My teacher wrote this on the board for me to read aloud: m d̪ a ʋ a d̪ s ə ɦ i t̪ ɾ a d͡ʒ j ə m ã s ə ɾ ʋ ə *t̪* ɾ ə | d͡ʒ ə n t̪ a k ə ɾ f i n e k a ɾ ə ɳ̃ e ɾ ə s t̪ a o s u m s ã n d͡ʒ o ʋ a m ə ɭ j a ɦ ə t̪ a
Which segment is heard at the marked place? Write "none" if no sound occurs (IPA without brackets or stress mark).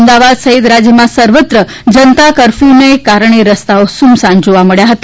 t̪